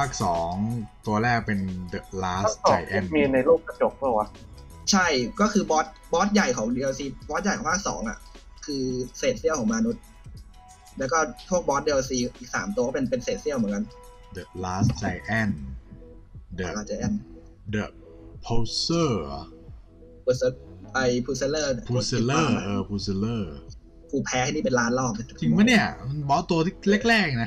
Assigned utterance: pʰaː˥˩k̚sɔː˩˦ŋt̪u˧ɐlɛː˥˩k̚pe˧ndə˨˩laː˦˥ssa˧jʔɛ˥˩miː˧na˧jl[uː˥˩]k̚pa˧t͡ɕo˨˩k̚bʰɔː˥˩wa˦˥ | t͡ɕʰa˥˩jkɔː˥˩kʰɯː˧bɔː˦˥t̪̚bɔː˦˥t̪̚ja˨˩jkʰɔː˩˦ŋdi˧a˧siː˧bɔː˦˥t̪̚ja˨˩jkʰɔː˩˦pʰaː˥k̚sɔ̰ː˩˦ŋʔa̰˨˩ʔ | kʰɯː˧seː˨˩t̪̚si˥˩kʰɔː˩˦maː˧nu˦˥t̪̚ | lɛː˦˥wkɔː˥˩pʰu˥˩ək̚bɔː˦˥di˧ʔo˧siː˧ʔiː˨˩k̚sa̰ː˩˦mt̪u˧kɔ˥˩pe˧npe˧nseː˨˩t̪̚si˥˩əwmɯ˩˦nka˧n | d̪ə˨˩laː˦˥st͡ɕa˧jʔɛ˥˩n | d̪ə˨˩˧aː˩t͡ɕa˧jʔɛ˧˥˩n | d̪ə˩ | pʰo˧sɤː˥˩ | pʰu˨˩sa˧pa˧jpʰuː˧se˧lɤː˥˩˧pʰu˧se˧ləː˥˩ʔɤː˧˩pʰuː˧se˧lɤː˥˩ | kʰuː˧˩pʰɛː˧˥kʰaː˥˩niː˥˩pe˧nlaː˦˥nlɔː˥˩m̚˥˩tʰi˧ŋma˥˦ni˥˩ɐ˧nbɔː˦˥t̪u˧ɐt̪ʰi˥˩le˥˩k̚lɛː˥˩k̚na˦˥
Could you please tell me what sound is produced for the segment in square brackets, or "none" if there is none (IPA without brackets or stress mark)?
uː˥˩